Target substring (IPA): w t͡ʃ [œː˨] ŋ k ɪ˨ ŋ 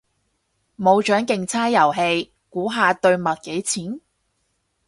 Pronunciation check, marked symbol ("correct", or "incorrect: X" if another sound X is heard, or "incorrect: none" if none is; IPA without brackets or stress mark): incorrect: œː˨˥